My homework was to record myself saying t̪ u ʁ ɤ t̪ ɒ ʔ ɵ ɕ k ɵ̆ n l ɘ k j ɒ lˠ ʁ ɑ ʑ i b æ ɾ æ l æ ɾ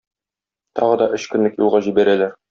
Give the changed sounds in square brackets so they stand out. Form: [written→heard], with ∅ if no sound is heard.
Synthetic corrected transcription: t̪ [u→ɒ] ʁ ɤ [t̪→d̪] ɒ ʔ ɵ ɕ k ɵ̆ n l ɘ k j [ɒ→u] lˠ ʁ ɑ ʑ i b æ ɾ æ l æ ɾ